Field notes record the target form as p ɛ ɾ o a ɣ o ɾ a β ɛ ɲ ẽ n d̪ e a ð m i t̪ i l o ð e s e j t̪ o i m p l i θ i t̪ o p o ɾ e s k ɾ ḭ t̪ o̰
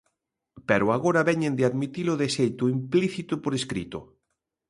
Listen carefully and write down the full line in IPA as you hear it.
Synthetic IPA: p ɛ ɾ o a ɣ o ɾ a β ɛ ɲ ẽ n d̪ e a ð m i t̪ i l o ð e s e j t̪ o i m p l i θ i t̪ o p o ɾ e s k ɾ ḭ t̪ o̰